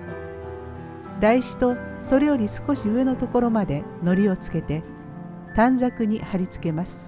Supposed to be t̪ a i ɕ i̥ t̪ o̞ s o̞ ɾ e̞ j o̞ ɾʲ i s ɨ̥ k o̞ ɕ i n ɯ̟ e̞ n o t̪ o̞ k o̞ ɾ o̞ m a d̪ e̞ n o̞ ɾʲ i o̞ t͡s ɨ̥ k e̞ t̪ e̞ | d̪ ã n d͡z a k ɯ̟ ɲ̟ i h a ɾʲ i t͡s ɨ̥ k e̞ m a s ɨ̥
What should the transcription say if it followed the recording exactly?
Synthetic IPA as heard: d̪ a i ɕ i̥ t̪ o̞ s o̞ ɾ e̞ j o̞ ɾʲ i s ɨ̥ k o̞ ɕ i ɯ̟ e̞ n o t̪ o̞ k o̞ ɾ o̞ m a d̪ e̞ n o̞ ɾʲ i o̞ t͡s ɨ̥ k e̞ t̪ e̞ | t̪ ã n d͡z a k ɯ̟ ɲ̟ i h a ɾʲ i t͡s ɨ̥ k e̞ m a s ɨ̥